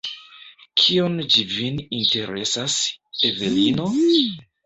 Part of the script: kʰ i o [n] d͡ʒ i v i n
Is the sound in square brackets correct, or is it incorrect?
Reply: correct